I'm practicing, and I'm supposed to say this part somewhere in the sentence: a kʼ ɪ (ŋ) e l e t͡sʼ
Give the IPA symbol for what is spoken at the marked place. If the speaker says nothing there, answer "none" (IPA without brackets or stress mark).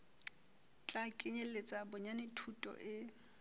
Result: ɲ